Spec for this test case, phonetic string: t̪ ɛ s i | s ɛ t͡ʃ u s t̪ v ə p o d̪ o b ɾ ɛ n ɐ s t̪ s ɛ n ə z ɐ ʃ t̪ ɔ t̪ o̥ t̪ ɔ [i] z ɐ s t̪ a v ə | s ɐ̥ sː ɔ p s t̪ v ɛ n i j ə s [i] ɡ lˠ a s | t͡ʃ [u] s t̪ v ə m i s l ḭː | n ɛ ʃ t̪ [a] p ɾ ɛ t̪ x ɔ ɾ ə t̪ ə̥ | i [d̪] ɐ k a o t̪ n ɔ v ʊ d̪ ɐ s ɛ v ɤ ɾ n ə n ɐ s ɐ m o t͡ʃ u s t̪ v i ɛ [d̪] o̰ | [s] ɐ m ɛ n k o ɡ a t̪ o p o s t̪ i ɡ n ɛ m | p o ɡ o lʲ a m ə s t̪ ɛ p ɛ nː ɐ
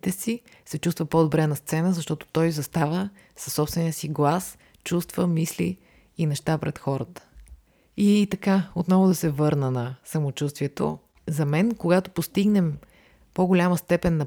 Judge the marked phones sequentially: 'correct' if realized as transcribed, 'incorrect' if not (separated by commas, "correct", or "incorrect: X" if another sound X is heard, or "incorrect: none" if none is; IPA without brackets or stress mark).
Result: incorrect: j, correct, correct, correct, incorrect: t̪, incorrect: t̪, incorrect: z